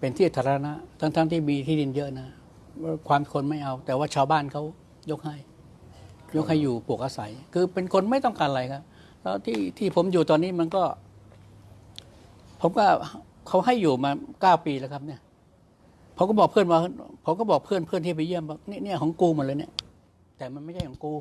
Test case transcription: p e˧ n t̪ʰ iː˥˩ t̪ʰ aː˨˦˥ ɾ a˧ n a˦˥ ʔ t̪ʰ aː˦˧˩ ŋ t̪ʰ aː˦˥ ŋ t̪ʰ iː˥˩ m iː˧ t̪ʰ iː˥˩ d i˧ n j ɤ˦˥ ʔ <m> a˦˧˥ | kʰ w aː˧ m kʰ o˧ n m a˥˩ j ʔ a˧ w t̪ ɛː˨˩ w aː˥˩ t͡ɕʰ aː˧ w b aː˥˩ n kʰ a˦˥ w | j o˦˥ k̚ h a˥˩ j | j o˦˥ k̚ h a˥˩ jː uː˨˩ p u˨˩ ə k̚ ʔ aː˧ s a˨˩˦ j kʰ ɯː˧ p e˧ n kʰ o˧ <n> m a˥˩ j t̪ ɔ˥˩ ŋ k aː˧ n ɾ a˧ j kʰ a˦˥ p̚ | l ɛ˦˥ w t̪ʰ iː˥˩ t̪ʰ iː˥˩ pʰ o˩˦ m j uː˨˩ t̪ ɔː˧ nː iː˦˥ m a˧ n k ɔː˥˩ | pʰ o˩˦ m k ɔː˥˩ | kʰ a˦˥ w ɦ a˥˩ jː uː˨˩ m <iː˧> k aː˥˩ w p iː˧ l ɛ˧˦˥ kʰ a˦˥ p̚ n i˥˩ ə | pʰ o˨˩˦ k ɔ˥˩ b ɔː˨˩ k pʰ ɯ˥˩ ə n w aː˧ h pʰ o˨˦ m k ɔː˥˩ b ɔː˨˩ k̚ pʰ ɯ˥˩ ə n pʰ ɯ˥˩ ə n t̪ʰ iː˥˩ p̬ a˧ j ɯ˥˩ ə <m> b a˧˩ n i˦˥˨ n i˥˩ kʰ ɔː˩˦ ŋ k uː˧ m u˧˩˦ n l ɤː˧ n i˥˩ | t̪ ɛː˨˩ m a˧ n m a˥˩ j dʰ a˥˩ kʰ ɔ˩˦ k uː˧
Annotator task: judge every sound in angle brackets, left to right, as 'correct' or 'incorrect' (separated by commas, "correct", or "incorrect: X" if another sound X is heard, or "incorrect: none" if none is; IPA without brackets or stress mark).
incorrect: n, correct, incorrect: aː˧, correct